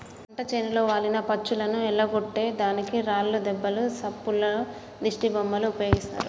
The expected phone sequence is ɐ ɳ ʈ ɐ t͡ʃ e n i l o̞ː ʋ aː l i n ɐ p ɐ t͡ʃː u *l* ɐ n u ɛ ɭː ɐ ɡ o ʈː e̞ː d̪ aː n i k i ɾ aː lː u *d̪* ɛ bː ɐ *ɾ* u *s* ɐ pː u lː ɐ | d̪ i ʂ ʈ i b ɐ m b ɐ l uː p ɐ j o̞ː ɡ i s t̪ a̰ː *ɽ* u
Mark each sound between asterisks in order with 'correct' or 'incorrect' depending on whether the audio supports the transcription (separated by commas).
correct, correct, incorrect, correct, incorrect